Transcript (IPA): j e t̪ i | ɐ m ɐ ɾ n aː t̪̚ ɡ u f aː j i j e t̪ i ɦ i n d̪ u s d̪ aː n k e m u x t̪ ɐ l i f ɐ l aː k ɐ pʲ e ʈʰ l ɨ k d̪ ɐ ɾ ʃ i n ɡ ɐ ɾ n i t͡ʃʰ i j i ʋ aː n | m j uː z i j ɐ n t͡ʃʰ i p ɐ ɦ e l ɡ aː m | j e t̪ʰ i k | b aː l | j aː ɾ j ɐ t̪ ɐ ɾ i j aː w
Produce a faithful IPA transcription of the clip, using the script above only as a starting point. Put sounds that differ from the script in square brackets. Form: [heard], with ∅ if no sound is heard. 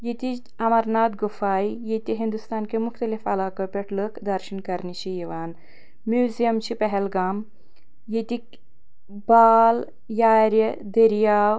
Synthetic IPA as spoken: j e t̪ i | ɐ m ɐ ɾ n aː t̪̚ ɡ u f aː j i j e t̪ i ɦ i n d̪ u s [t̪] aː n k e m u x t̪ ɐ l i f ɐ l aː k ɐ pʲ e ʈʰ l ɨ k d̪ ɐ ɾ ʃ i n [k] ɐ ɾ n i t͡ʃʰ i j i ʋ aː n | m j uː z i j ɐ [m] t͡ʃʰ i p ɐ ɦ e l ɡ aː m | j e [t̪] i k | b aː l | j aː ɾ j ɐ [d̪] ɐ ɾ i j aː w